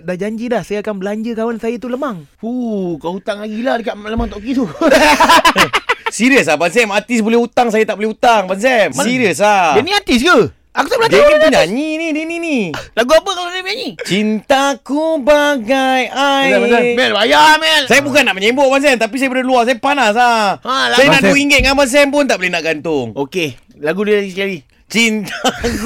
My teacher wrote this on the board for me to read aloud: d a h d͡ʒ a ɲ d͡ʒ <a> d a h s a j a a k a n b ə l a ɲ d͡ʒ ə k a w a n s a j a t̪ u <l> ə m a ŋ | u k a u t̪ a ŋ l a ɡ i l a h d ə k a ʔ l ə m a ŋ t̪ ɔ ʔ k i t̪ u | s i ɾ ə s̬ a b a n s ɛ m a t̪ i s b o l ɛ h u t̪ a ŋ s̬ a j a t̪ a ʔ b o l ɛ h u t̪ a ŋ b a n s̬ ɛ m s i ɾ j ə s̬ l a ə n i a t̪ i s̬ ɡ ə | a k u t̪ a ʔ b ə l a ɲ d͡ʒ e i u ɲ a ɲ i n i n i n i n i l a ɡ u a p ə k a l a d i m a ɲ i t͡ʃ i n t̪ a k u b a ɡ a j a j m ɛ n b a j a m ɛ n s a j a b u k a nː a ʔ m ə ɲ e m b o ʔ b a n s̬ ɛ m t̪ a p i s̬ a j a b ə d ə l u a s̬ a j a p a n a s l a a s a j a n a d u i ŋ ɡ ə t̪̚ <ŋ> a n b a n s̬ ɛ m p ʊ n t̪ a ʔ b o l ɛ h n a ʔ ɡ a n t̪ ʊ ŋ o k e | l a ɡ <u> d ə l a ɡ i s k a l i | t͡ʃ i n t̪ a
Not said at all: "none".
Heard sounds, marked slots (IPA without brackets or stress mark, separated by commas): i, l, ŋ, u